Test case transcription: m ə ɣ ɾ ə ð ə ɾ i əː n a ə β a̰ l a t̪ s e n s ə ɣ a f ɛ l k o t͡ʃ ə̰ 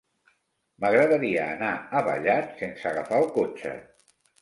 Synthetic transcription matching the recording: m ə ɣ ɾ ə ð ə ɾ i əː n a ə β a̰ ʎ a t̪ s e n s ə ɣ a f a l k o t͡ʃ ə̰